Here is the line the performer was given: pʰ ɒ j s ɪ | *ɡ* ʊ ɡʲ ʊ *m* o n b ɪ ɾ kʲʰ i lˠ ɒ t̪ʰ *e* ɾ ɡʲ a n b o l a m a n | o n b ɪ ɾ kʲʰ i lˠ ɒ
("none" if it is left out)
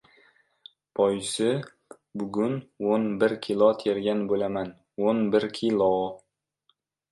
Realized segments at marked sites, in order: b, n, e

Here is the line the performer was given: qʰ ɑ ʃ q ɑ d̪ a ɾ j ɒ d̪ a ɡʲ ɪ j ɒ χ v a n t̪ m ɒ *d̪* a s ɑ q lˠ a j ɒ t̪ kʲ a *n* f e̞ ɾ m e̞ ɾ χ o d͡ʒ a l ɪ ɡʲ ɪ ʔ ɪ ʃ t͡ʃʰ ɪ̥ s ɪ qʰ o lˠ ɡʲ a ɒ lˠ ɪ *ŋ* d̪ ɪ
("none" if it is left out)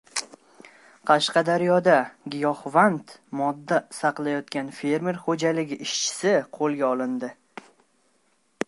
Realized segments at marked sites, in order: d̪ː, n, n

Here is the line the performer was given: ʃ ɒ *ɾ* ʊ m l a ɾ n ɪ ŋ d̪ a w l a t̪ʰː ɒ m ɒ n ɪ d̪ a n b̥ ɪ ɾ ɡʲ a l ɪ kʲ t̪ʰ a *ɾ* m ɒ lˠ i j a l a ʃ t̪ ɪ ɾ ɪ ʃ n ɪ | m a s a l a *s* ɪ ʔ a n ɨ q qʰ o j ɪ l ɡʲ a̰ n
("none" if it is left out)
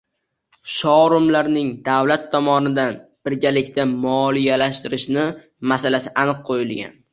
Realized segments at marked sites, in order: ɾ, none, s

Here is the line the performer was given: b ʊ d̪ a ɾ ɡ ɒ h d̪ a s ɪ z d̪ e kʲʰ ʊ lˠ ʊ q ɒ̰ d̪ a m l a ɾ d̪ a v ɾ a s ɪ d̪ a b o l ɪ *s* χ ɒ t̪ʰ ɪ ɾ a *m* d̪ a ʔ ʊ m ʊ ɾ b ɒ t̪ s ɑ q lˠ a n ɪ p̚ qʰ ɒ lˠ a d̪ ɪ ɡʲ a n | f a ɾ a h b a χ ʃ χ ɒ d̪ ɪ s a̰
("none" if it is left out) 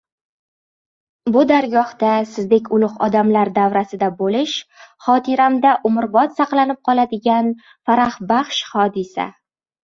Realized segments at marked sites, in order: ʃ, m

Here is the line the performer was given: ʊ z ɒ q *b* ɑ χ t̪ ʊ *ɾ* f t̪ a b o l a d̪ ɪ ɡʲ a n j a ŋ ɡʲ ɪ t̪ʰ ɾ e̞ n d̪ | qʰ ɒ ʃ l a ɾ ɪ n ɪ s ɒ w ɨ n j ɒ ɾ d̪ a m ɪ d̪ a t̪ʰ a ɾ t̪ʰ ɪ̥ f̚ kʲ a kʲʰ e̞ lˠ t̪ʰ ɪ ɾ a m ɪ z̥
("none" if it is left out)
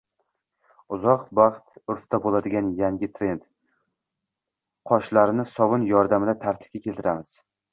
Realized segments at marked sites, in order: b, ɾ

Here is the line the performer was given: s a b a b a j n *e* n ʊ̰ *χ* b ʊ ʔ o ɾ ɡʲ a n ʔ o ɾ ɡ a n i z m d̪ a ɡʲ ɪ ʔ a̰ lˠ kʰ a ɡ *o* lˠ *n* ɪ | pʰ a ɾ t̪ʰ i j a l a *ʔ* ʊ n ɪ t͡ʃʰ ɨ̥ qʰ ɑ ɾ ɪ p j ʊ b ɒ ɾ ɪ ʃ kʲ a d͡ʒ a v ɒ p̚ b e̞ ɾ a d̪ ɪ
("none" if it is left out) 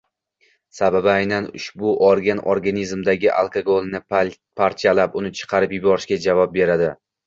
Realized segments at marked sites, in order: a, ʃ, o, n, p

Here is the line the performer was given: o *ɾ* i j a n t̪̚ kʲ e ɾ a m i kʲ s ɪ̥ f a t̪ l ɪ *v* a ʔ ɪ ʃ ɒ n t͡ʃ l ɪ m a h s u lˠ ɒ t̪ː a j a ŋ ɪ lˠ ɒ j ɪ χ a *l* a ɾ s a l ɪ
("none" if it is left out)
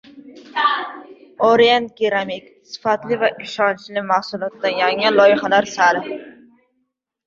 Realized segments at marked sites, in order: ɾ, v, l

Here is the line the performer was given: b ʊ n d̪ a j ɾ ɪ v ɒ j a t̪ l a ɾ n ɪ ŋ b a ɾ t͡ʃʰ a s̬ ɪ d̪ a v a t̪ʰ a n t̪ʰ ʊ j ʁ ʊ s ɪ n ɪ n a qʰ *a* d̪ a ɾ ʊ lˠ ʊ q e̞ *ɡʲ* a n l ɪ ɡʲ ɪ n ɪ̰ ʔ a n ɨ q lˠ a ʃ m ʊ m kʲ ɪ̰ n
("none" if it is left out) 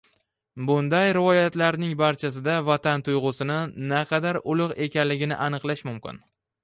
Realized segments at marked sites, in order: ɑ, kʲ

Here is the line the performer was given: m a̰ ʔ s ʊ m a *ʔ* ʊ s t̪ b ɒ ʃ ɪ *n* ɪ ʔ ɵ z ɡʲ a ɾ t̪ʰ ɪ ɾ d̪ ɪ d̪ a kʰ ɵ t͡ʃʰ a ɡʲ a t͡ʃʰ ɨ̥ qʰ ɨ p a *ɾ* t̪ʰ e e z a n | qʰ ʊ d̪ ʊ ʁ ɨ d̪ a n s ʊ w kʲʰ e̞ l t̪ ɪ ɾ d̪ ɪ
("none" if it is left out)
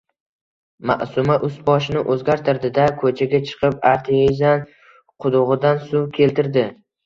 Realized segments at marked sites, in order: ʔ, n, ɾ

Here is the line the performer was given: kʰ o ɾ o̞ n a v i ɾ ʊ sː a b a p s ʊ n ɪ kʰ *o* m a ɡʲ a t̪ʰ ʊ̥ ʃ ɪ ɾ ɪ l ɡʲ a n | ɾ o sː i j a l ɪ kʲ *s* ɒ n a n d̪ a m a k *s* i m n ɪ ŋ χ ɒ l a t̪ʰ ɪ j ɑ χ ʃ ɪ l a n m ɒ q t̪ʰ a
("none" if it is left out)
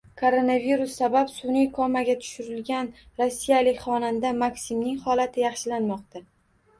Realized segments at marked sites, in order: ɒ, χ, s

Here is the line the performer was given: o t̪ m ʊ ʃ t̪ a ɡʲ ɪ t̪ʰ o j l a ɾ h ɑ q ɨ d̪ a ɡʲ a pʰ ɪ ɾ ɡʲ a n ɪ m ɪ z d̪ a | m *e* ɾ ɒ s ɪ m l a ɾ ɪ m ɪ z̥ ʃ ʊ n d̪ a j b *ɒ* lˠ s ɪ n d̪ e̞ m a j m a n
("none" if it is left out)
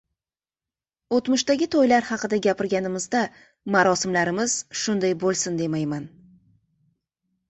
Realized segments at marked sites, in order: a, o

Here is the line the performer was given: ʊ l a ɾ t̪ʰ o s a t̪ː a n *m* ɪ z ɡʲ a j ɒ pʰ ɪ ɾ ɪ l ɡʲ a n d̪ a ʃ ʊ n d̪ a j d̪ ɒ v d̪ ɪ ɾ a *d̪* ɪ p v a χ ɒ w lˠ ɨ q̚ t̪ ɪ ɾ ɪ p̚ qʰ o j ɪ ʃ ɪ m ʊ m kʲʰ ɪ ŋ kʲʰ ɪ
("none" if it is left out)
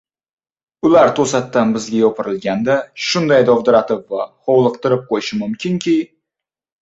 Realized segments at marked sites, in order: b, t̪

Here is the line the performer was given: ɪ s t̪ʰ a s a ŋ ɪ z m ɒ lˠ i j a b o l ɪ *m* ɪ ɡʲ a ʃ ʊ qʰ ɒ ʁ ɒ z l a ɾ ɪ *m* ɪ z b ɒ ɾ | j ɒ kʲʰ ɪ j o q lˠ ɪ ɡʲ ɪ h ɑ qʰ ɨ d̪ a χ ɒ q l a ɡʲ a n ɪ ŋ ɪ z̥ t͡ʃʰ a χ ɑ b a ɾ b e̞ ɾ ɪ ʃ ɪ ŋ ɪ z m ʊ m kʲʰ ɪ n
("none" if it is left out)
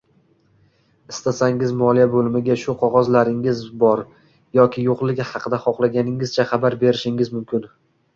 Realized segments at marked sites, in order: m, ŋ

